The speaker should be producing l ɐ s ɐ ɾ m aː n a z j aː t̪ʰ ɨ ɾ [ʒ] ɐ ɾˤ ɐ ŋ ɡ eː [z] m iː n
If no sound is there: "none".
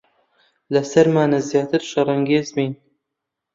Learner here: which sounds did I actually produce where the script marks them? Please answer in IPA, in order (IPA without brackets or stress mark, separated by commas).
ʃ, z